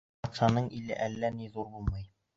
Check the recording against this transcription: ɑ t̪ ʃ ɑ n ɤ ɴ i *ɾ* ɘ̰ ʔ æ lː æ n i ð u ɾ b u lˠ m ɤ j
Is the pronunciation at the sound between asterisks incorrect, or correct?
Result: incorrect